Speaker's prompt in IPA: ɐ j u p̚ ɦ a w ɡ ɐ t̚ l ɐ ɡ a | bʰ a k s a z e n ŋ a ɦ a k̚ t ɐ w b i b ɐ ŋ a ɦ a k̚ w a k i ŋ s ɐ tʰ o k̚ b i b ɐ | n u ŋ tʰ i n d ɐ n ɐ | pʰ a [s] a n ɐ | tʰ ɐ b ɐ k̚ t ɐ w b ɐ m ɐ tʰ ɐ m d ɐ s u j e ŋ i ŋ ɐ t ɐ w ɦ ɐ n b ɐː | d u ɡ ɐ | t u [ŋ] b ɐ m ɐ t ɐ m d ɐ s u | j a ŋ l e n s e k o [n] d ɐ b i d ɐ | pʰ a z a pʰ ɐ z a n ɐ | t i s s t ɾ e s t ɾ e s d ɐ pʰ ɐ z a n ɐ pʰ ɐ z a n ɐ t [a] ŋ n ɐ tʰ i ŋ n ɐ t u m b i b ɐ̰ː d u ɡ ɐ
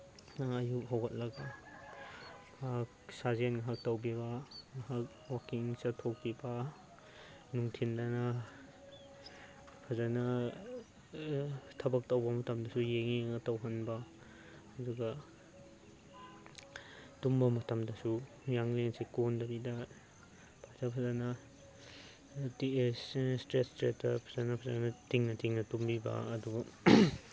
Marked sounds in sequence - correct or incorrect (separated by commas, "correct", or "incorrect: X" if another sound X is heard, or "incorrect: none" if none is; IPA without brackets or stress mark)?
incorrect: z, incorrect: m, correct, incorrect: i